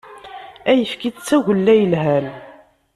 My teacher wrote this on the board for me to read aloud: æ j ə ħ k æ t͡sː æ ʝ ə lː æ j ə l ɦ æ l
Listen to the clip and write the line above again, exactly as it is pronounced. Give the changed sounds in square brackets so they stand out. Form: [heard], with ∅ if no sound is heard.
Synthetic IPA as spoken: æ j ə [f] k [i] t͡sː æ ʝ ə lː æ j ə l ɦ æ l